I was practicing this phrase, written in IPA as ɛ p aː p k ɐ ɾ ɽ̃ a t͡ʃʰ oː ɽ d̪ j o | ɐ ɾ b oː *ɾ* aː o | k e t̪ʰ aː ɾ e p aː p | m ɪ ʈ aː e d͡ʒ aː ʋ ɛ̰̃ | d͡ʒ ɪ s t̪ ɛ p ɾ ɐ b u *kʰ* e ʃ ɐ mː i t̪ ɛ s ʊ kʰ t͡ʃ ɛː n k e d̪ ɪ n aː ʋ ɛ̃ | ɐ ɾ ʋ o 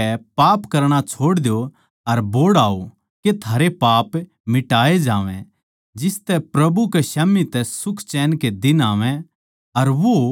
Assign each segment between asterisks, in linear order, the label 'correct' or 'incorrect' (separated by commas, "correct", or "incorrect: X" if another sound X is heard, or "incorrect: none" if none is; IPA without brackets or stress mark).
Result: incorrect: ɽ, incorrect: k